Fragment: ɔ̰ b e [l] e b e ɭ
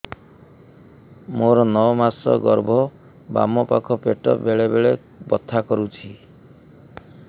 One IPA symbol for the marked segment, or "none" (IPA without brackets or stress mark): ɭ